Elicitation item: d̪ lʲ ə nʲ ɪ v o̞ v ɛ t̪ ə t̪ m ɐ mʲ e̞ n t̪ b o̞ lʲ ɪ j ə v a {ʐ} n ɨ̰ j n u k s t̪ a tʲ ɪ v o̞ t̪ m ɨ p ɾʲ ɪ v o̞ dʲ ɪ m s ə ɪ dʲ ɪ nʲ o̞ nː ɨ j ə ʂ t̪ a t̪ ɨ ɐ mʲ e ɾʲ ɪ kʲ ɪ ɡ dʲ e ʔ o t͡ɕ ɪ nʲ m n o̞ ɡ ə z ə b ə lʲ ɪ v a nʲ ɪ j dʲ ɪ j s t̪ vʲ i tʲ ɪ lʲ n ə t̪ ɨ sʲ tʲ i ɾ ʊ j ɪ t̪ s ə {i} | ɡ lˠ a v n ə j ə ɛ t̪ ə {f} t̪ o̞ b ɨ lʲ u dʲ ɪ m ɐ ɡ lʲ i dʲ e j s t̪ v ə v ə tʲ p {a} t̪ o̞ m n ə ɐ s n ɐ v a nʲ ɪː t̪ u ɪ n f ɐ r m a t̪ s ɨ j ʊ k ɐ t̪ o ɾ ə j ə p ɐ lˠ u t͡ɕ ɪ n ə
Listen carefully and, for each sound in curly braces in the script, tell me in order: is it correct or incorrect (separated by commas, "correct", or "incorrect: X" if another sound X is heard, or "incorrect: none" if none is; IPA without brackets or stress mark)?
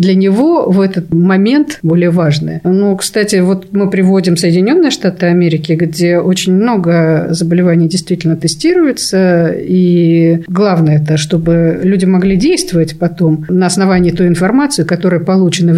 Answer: correct, correct, incorrect: ʂ, incorrect: ɐ